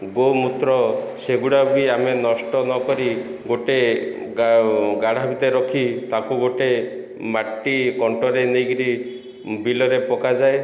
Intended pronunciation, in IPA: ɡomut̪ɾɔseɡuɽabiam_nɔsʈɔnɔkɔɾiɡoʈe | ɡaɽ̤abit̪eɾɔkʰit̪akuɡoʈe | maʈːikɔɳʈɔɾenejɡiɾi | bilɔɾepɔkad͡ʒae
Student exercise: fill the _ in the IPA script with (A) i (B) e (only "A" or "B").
B